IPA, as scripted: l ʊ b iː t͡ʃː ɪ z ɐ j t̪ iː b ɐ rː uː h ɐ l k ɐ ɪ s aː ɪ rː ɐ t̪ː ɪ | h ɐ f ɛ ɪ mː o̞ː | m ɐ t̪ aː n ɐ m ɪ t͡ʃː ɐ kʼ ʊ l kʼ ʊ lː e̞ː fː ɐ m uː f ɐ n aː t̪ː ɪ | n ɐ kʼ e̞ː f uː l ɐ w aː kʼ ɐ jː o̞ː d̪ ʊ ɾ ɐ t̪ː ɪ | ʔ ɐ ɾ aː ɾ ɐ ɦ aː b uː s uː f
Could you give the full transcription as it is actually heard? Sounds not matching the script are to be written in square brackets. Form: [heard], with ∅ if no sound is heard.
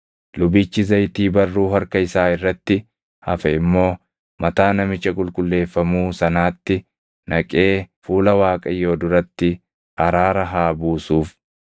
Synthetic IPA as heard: l ʊ b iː t͡ʃː ɪ z ɐ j t̪ iː b ɐ rː uː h ɐ [ɾ] k ɐ ɪ s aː ɪ rː ɐ t̪ː ɪ | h ɐ f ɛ ɪ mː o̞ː | m ɐ t̪ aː n ɐ m ɪ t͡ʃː ɐ kʼ ʊ l kʼ ʊ lː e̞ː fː ɐ m uː [s] ɐ n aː t̪ː ɪ | n ɐ kʼ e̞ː f uː l ɐ w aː kʼ ɐ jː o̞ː d̪ ʊ ɾ ɐ t̪ː ɪ | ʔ ɐ ɾ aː ɾ ɐ ɦ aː b uː s uː f